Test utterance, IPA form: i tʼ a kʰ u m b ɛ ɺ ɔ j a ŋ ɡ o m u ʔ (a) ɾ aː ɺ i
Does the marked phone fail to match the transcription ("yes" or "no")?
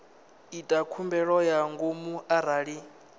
no